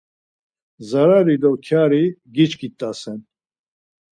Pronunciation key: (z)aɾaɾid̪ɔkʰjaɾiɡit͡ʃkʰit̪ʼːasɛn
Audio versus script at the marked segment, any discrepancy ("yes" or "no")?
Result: no